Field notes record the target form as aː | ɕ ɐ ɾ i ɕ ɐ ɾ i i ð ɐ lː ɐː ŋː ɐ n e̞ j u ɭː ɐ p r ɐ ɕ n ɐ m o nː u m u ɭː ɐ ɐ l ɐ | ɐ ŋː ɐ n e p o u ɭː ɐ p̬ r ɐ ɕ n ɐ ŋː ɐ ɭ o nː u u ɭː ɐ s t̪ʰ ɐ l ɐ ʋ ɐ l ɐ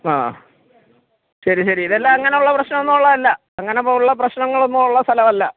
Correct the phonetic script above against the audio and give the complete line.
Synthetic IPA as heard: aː | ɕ ɐ ɾ i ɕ ɐ ɾ i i ð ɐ lː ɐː ŋː ɐ n e̞ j u ɭː ɐ p r ɐ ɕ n ɐ m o nː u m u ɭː ɐ ɐ lː ɐ | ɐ ŋː ɐ n e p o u ɭː ɐ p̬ r ɐ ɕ n ɐ ŋː ɐ ɭ o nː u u ɭː ɐ s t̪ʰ ɐ l ɐ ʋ ɐ lː ɐ